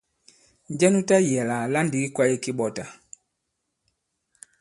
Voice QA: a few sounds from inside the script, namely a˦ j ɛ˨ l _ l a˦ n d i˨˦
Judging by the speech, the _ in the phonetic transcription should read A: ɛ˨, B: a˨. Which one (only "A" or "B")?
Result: B